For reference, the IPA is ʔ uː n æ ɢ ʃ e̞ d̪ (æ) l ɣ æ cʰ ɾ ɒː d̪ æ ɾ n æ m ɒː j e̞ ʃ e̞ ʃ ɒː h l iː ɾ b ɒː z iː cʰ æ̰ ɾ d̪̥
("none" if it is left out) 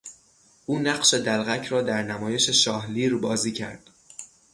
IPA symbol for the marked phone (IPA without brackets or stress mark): æ